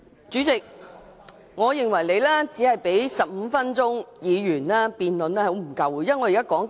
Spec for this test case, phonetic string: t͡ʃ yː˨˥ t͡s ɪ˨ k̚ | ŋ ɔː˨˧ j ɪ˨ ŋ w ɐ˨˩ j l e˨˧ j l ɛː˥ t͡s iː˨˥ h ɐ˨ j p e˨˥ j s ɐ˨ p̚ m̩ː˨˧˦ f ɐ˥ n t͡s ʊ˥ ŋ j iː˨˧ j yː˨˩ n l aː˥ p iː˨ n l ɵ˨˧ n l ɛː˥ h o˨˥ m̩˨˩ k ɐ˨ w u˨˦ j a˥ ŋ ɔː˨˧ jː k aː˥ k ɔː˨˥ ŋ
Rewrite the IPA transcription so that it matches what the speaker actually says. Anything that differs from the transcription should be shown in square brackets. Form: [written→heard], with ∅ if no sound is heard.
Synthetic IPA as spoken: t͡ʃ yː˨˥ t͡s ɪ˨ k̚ | ŋ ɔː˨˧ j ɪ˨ ŋ w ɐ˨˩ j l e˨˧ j l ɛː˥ t͡s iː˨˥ h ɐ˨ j p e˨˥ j s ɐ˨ p̚ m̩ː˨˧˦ f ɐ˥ n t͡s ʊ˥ ŋ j iː˨˧ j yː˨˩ n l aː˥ p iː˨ n l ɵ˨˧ n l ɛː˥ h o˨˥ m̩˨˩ k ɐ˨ w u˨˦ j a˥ ŋ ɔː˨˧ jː k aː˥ k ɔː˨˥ ŋ